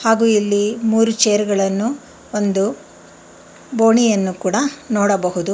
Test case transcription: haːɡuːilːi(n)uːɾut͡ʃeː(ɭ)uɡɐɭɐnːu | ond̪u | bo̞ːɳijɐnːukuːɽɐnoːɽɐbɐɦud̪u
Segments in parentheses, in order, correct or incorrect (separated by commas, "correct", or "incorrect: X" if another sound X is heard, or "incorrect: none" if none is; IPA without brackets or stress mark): incorrect: m, incorrect: ɾ